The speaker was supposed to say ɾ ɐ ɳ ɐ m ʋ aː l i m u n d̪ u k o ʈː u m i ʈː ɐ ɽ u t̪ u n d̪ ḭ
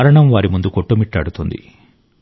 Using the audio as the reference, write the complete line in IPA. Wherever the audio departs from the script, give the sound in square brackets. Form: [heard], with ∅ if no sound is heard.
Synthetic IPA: ɾ ɐ ɳ ɐ m ʋ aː [ɾ] i m u n d̪ u k o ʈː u m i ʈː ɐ ɽ u t̪ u n d̪ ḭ